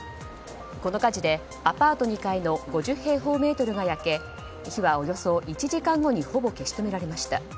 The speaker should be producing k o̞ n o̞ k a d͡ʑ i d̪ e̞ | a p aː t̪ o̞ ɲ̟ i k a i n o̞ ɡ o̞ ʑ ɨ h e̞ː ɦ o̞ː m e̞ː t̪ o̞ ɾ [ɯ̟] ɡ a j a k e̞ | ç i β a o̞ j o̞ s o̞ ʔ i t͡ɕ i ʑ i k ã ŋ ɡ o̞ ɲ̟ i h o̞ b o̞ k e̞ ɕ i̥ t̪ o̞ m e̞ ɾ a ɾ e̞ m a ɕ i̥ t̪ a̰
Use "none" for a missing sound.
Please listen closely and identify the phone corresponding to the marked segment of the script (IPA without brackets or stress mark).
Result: ɯ̟